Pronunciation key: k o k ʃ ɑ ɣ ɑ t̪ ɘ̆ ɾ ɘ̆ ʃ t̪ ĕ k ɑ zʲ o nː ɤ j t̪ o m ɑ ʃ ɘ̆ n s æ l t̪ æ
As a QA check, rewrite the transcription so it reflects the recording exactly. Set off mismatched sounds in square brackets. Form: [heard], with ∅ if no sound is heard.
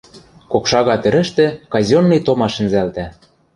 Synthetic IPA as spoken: k o k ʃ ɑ ɣ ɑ t̪ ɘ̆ ɾ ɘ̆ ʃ t̪ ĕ k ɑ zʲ o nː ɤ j t̪ o m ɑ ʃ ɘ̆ n [z] æ l t̪ æ